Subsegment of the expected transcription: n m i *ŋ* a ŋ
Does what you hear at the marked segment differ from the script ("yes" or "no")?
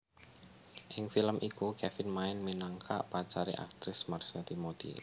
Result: yes